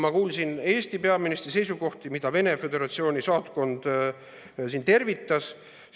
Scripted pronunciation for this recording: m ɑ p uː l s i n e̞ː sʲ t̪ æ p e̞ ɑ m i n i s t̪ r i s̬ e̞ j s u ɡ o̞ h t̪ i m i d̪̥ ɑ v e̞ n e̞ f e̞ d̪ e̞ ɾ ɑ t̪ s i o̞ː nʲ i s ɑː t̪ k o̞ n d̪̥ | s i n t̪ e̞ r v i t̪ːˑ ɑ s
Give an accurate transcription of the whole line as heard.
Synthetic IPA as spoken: m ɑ k uː l s i n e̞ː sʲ t̪ i p e̞ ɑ m i n i s t̪ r i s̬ e̞ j s u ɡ o̞ h t̪ i m i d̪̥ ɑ v e̞ n e̞ f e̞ d̪ e̞ ɾ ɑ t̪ s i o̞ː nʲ i s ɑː t̪ k o̞ n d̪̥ | s i n t̪ e̞ r v i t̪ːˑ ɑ s